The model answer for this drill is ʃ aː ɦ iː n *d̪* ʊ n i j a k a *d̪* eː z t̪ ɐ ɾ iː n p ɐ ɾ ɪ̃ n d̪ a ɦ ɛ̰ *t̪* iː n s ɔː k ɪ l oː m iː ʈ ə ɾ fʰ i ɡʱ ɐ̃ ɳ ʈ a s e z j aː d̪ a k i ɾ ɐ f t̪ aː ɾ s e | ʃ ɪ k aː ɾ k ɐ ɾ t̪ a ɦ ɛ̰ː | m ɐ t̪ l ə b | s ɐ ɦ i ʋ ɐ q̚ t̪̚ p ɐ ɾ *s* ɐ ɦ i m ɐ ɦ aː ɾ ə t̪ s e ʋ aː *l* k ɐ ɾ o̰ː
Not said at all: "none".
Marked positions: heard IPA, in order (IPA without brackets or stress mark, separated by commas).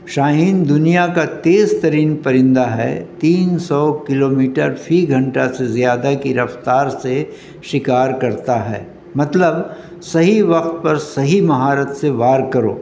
d̪, t̪, t̪, s, ɾ